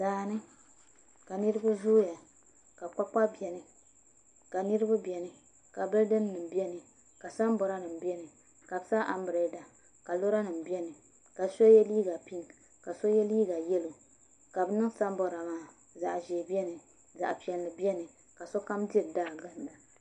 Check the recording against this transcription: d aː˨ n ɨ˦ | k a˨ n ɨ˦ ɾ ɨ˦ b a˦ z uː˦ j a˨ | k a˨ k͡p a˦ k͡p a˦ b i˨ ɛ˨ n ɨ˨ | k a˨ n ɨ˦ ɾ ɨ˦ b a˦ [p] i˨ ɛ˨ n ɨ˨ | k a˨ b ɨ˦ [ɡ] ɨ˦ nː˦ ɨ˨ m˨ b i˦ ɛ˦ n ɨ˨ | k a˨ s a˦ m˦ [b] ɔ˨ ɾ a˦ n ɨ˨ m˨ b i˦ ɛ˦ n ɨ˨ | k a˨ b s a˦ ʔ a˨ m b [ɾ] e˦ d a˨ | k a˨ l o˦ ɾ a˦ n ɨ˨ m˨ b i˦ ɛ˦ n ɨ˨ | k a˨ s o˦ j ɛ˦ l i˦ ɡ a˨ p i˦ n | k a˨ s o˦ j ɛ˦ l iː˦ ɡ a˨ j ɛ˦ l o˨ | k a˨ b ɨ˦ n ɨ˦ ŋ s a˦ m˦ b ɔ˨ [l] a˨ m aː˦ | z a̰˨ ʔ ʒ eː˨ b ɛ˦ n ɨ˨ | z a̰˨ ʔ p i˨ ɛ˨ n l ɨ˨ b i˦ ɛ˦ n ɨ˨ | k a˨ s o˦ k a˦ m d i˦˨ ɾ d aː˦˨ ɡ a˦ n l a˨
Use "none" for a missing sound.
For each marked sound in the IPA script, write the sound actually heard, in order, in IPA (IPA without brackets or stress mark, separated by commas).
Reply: b, d, b, ɾ, ɾ